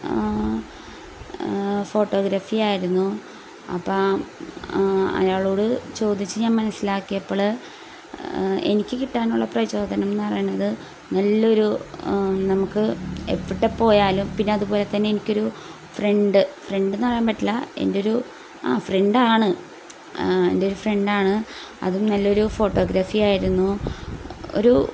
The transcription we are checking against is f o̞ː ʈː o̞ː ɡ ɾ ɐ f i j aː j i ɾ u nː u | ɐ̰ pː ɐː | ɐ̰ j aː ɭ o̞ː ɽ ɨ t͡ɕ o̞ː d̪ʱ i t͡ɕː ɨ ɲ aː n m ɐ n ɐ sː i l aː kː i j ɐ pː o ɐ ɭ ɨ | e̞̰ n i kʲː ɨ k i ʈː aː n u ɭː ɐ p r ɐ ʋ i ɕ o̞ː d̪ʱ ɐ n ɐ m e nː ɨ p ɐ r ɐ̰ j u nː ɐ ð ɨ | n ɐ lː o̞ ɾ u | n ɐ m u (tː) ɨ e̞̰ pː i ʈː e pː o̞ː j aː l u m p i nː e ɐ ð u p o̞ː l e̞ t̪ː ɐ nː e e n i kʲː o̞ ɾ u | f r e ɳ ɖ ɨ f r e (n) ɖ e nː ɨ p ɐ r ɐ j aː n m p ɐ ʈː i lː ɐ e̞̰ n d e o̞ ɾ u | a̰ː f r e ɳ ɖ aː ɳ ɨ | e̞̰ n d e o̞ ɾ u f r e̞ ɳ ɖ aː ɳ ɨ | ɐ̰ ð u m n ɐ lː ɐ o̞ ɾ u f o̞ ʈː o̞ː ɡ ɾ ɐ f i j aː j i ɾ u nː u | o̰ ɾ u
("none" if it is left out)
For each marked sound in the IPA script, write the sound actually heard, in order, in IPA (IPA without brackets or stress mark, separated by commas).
kː, ɳ